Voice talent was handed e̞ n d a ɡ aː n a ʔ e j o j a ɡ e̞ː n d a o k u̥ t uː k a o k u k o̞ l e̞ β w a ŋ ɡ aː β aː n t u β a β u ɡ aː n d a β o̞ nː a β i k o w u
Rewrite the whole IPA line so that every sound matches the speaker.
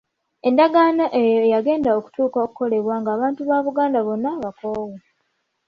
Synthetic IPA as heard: e̞ n d a ɡ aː n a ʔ e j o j a ɡ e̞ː n d a o k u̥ t uː k a o k u k o̞ l e̞ β w a ŋ ɡ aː β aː n t u β a β u ɡ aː n d a β o̞ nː a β a k o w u